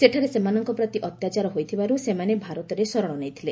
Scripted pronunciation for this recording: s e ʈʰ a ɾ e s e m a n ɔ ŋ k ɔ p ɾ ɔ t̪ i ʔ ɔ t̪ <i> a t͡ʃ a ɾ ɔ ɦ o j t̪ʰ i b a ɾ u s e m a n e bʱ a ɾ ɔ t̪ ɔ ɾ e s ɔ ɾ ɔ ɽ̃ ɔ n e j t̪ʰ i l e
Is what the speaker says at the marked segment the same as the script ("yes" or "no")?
no